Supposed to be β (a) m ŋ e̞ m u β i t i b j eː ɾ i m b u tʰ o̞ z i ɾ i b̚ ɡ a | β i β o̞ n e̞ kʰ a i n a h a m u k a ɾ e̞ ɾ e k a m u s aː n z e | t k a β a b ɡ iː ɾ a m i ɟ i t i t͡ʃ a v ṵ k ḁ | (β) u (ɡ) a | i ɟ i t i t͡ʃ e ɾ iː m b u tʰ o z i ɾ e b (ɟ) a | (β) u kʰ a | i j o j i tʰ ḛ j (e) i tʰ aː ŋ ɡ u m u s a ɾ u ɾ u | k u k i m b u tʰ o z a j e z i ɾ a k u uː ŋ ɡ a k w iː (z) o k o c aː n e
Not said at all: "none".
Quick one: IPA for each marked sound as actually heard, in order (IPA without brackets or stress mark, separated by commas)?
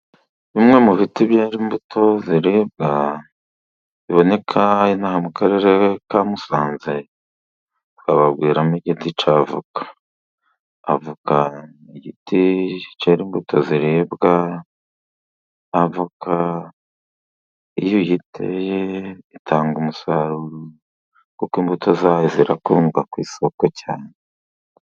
i, v, k, ɡ, v, e, s